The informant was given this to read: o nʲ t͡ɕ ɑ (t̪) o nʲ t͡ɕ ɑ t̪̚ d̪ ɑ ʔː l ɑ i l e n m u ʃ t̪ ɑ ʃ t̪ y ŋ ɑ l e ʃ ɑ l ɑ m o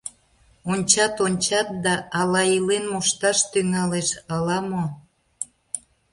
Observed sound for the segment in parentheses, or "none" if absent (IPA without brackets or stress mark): t̪